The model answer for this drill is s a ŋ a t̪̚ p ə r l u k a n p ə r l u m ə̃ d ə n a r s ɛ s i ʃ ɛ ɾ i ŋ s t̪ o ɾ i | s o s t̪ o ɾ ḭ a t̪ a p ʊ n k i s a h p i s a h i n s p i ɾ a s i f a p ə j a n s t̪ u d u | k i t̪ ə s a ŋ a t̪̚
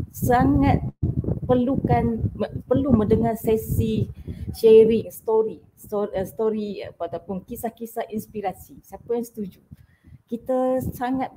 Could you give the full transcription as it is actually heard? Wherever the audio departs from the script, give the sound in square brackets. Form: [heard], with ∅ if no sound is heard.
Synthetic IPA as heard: s a ŋ a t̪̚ p ə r l u k a n p ə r l u m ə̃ d ə [ŋ] a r s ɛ s i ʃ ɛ ɾ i ŋ s t̪ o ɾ i | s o s t̪ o ɾ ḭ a t̪ a p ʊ n k i s a h [k] i s a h i n s p i ɾ a s i [s] a p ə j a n s t̪ u [d͡ʒ] u | k i t̪ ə s a ŋ a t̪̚

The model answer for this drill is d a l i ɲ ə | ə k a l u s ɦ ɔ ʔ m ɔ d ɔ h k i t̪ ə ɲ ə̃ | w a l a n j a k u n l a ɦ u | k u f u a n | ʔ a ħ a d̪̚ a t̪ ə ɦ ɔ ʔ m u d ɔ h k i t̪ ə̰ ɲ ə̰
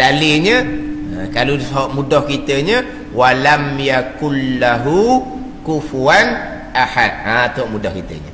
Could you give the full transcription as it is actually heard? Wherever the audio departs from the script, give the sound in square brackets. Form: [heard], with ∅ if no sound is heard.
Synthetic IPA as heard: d a l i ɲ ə | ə k a l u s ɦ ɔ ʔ m [u] d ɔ h k i t̪ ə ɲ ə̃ | w a l a [m] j a k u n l a ɦ u | k u f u a n | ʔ a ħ a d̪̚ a t̪ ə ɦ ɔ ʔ m u d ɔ h k i t̪ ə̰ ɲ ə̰

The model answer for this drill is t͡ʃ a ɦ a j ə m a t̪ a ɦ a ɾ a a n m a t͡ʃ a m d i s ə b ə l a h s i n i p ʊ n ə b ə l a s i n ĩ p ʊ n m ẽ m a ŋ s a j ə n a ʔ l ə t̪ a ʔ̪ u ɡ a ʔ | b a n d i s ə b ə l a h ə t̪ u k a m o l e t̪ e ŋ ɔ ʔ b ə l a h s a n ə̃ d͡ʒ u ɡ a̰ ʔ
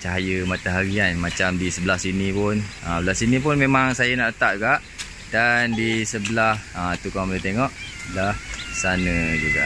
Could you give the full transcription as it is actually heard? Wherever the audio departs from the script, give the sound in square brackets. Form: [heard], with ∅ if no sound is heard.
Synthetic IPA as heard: t͡ʃ a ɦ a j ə m a t̪ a ɦ a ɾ [i] a n m a t͡ʃ a m d i s ə b ə l a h s i n i p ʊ n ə b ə l a s i n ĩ p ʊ n m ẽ m a ŋ s a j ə n a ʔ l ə t̪ a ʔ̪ u ɡ a ʔ | [d] a n d i s ə b ə l a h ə t̪ u k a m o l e t̪ e ŋ ɔ ʔ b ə l a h s a n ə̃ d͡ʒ u ɡ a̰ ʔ

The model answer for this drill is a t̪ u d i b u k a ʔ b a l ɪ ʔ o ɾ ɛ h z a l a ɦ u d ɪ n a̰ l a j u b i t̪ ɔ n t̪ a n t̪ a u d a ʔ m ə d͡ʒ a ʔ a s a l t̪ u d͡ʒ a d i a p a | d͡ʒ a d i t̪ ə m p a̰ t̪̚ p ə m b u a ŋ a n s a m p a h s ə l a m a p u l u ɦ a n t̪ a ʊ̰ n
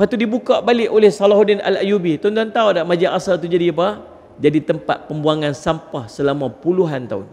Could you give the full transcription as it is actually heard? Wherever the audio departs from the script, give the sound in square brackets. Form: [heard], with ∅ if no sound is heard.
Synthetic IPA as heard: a t̪ u d i b u k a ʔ b a l ɪ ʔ o [l] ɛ h [s] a l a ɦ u d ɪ n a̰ l a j u b i t̪ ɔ n t̪ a n t̪ a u d a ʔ m [a] d͡ʒ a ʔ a s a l t̪ u d͡ʒ a d i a p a | d͡ʒ a d i t̪ ə m p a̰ t̪̚ p ə m b u a ŋ a n s a m p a h s ə l a m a p u l u ɦ a n t̪ a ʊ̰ n

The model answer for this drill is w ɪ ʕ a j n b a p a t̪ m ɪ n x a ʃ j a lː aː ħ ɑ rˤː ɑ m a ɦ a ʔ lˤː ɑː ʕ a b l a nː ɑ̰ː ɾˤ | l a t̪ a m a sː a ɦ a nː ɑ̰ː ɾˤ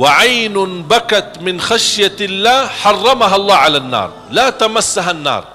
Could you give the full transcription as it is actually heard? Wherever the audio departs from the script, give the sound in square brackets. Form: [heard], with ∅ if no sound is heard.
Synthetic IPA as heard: w ɪ ʕ a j n b a [k] a t̪ m ɪ n x a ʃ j a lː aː ħ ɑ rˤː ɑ m a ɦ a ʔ lˤː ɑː ʕ a [∅] l a nː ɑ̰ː ɾˤ | l a t̪ a m a sː a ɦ a nː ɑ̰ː ɾˤ

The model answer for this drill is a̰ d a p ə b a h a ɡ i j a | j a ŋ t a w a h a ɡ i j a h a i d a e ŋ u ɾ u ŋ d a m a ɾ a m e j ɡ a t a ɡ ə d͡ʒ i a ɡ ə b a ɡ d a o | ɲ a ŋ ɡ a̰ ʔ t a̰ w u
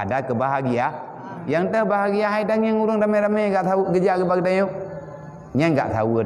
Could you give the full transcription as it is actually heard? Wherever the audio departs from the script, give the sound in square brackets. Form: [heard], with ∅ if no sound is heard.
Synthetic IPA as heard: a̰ d a [k] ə b a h a ɡ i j a | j a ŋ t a [b] a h a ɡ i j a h a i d a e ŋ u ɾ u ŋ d a m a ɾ a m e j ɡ a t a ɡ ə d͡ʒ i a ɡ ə b a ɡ d a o | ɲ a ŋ ɡ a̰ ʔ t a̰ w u

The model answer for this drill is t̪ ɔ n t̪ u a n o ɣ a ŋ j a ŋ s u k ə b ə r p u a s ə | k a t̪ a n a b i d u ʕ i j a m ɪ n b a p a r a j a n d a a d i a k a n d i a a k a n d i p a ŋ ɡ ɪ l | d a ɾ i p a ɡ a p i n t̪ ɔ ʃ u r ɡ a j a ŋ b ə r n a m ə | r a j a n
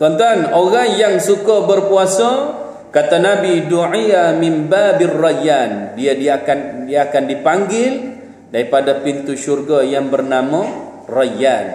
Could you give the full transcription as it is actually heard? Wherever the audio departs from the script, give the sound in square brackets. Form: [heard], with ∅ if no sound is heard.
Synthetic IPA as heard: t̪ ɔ n t̪ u a n o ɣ a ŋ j a ŋ s u k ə b ə r p u a s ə | k a t̪ a n a b i d u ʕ i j a m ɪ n b a [b] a r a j a n d [i] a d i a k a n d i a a k a n d i p a ŋ ɡ ɪ l | d a ɾ i p a [d] a p i n t̪ [u] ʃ u r ɡ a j a ŋ b ə r n a m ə | r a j a n

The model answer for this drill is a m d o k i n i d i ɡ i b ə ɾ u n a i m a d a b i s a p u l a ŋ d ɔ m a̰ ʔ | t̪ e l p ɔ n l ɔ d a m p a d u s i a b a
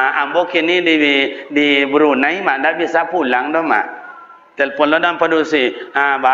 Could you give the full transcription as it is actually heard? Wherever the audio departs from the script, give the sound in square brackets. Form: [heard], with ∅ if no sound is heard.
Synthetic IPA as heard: a m [b] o k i n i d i [d] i b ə ɾ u n a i m a d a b i s a p u l a ŋ d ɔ m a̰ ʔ | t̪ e l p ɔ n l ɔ d a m p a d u s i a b a

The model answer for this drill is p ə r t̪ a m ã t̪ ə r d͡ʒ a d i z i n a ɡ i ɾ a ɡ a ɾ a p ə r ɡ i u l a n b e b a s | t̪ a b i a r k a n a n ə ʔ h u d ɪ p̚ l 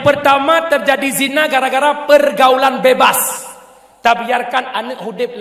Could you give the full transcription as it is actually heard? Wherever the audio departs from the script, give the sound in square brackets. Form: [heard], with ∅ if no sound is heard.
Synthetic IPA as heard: p ə r t̪ a m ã t̪ ə r d͡ʒ a d i z i n a ɡ [a] ɾ a ɡ a ɾ a p ə r ɡ [a] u l a n b e b a s | t̪ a b i a r k a n a n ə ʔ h u d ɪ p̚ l

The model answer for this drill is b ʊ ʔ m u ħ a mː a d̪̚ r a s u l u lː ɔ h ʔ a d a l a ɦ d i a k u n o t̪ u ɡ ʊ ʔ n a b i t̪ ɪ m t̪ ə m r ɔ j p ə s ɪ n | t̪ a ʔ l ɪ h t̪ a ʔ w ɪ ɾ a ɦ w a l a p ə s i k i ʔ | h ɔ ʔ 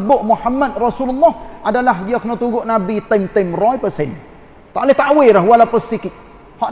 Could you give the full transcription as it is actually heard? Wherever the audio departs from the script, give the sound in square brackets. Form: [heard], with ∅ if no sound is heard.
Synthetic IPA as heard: b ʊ ʔ m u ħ a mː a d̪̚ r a s u l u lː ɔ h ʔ a d a l a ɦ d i a k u n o t̪ u ɡ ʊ ʔ n a b i t̪ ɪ m t̪ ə m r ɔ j p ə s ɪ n | t̪ a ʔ l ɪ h t̪ a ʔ w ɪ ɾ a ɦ w a l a p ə s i k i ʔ | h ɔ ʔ

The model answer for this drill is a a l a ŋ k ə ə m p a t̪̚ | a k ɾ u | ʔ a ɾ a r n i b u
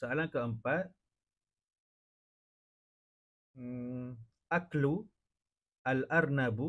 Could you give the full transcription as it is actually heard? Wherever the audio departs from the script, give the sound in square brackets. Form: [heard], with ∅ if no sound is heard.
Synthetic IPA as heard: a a l a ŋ k ə ə m p a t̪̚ | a k [l] u | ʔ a [l] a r n [a] b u

